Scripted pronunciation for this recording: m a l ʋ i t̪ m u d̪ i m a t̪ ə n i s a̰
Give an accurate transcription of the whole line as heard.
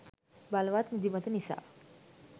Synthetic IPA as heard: b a l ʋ a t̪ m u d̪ i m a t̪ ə n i s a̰